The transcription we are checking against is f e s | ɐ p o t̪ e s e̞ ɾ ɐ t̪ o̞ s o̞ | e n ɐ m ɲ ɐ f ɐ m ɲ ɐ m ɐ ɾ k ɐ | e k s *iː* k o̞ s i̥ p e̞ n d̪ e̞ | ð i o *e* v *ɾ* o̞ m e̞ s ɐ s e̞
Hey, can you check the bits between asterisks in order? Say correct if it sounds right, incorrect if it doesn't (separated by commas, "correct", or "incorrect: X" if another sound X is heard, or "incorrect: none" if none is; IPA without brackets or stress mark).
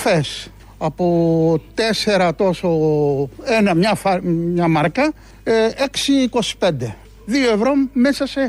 correct, correct, correct